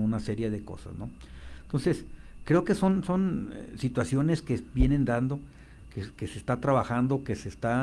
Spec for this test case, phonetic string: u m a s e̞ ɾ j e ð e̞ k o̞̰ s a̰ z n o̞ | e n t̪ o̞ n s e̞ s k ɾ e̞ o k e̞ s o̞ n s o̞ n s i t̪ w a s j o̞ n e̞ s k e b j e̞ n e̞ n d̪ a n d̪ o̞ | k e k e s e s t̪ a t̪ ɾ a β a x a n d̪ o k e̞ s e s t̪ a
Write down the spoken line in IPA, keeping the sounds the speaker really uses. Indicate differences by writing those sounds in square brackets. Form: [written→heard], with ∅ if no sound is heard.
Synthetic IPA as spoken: u [m→n] a s e̞ ɾ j e ð e̞ k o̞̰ s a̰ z n o̞ | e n t̪ o̞ n s e̞ s k ɾ e̞ o k e̞ s o̞ n s o̞ n s i t̪ w a s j o̞ n e̞ s k e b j e̞ n e̞ n d̪ a n d̪ o̞ | k e k e s e s t̪ a t̪ ɾ a β a x a n d̪ o k e̞ s e s t̪ a